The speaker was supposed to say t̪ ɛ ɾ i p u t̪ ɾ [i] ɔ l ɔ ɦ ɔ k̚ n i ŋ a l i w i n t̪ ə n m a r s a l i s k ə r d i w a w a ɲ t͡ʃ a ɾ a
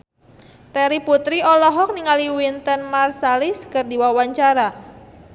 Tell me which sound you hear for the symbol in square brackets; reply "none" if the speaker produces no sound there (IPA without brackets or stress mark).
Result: i